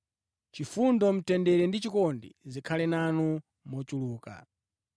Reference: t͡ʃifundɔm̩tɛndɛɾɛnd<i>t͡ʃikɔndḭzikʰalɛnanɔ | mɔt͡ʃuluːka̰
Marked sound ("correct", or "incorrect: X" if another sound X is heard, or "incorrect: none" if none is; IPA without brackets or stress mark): correct